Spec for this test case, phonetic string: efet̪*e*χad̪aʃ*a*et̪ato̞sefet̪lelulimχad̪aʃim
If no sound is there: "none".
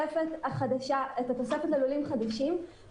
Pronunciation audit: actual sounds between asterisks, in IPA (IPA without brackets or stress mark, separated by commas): a, a